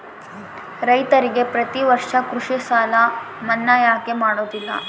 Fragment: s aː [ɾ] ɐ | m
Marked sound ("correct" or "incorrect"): incorrect